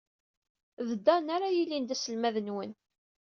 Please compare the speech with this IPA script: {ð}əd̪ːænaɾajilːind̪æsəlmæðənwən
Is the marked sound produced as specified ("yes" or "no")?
yes